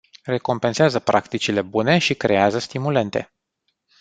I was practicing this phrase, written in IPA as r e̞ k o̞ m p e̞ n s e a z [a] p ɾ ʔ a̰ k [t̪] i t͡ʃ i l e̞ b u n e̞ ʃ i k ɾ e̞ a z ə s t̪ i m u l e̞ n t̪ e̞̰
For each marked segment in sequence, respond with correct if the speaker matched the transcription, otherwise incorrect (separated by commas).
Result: incorrect, correct